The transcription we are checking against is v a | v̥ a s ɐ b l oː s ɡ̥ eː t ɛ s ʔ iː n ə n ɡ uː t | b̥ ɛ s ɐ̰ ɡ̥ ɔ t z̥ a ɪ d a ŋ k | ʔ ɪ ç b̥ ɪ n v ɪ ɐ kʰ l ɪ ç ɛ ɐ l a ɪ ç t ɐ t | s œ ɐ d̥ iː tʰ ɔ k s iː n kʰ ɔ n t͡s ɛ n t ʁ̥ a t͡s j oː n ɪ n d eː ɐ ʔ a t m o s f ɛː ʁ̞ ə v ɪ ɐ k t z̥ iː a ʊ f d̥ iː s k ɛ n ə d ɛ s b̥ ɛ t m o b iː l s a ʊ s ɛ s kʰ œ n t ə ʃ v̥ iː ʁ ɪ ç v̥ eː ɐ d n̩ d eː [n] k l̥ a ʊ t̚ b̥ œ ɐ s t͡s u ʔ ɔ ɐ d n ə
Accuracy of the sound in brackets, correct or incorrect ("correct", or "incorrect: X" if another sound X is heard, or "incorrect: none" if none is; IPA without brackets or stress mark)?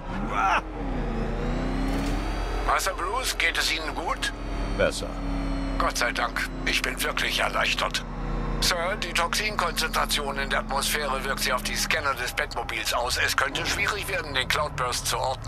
correct